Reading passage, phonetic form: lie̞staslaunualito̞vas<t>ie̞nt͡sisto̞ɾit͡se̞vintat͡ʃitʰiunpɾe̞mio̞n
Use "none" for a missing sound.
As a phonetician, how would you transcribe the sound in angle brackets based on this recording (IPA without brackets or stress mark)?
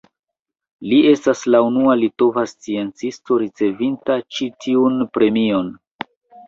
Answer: t͡s